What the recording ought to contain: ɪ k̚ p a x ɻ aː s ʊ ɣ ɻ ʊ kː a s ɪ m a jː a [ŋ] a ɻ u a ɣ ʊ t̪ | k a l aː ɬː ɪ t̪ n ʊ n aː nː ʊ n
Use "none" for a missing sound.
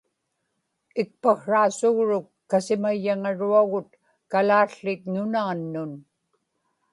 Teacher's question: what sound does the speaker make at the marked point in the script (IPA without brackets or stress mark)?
ŋ